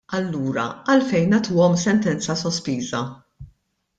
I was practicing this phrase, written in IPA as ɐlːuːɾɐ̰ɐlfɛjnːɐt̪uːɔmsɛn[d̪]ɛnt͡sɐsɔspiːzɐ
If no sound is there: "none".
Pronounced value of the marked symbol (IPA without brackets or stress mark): t̪